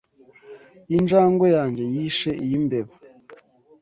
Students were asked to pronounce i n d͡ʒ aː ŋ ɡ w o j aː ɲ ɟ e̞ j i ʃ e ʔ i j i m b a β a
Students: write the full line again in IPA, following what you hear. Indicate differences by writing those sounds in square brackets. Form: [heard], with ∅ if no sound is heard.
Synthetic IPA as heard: i n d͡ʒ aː ŋ ɡ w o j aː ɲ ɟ e̞ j i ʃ e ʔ i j i m b [e] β a